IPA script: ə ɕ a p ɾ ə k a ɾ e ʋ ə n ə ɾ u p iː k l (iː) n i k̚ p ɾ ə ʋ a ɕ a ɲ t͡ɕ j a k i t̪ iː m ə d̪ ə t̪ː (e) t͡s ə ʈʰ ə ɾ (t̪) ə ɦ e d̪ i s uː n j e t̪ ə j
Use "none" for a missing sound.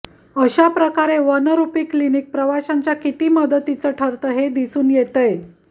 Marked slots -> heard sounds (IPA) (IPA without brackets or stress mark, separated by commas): i, i, t̪